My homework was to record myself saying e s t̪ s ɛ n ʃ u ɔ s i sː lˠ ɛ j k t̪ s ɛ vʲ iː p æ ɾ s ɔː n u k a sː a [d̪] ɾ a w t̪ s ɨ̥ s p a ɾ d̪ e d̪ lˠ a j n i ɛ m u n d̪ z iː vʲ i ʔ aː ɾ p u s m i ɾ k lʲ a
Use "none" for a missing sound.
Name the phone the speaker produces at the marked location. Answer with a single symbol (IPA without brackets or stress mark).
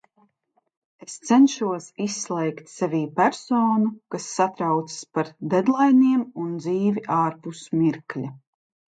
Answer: t̪